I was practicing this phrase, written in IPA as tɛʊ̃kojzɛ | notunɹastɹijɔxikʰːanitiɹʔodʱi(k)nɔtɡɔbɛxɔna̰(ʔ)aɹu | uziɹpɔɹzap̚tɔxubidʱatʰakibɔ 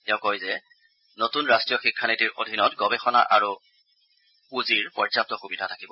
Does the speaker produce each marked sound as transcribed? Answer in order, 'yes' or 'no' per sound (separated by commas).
no, yes